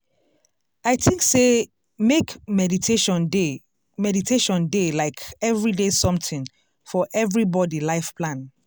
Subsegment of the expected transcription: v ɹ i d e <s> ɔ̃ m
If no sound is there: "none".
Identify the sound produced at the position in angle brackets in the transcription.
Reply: s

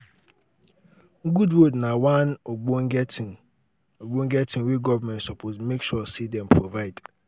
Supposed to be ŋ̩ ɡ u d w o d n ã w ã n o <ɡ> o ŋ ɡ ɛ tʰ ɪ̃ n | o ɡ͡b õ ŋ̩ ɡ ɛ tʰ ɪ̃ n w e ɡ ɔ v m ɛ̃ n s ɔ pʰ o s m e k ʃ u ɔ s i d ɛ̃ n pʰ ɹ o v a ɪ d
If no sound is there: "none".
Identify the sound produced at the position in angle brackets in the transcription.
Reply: ɡ͡b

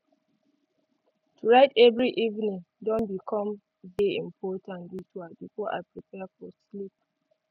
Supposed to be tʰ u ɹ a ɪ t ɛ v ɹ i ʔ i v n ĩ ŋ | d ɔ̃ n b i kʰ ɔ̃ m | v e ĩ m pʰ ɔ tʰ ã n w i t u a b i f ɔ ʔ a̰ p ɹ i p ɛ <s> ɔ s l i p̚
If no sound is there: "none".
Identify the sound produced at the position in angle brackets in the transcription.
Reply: f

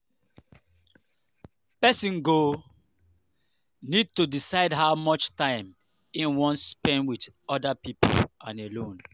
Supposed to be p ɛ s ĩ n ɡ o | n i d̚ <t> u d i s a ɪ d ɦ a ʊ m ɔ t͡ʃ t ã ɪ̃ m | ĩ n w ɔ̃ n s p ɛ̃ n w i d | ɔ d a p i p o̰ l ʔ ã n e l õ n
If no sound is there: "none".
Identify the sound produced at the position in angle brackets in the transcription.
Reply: t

